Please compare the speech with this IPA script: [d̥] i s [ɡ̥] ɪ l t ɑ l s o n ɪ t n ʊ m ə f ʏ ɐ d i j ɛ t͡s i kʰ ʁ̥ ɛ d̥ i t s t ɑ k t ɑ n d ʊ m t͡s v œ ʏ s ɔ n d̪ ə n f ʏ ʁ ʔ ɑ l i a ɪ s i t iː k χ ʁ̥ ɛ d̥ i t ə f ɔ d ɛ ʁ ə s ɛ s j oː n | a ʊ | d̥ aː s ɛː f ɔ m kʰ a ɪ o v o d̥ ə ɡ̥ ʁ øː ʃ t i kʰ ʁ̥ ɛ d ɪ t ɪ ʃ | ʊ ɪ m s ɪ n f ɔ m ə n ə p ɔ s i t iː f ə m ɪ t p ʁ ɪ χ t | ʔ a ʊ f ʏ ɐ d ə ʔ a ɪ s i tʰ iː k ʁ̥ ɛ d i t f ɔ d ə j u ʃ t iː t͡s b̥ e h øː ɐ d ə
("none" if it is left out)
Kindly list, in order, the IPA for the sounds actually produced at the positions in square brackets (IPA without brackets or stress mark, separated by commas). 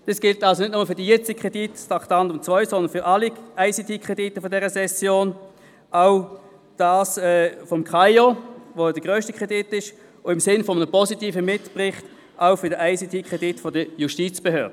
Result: d̥, ɡ̥